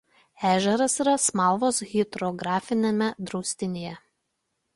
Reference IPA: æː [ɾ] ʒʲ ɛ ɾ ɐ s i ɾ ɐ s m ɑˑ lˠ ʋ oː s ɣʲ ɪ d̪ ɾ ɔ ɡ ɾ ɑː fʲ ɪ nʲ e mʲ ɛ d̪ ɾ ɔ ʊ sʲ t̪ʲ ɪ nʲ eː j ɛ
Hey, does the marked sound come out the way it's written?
no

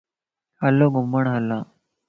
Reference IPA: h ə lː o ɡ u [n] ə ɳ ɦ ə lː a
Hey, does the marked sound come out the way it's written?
no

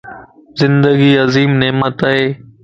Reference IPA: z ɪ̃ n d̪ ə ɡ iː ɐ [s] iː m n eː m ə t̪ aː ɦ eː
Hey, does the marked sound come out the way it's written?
no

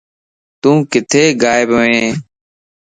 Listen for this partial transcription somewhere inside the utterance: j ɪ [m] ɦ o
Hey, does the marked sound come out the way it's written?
no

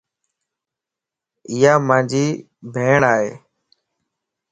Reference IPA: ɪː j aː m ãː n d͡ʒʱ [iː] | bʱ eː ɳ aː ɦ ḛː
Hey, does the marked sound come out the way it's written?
yes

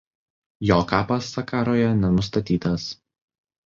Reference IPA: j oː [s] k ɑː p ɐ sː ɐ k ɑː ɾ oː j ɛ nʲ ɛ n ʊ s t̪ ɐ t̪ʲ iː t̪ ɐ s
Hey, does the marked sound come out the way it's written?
no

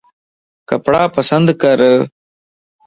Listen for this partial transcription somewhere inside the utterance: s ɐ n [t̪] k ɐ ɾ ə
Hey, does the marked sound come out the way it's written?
no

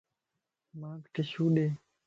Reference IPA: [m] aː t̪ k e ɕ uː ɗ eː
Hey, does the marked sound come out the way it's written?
yes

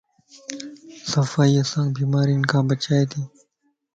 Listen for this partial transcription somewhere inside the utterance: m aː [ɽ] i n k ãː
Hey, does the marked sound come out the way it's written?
no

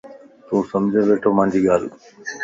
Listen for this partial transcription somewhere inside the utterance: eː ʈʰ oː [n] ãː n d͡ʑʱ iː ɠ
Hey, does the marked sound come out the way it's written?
no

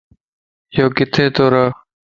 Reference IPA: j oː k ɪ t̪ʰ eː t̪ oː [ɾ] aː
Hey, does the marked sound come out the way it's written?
yes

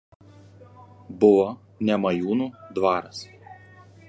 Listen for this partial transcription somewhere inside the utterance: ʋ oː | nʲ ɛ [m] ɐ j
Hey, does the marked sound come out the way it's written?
yes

